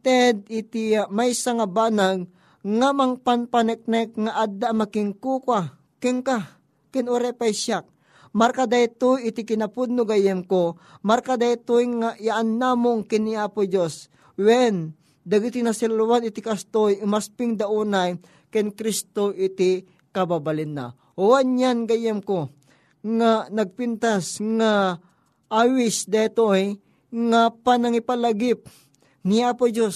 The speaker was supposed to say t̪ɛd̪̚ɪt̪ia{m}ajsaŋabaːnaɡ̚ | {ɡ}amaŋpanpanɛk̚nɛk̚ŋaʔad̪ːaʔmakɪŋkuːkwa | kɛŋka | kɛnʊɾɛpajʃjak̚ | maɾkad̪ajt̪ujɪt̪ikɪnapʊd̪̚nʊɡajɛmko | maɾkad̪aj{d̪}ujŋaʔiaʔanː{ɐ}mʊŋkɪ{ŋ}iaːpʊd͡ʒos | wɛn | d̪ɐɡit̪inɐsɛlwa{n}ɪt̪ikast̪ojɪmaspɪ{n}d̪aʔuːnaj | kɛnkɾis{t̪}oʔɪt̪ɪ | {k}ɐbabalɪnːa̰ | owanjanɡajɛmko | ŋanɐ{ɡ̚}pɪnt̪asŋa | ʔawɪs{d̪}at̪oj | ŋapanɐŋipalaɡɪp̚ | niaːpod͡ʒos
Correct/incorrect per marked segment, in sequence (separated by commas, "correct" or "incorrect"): correct, incorrect, incorrect, incorrect, incorrect, correct, incorrect, correct, correct, correct, correct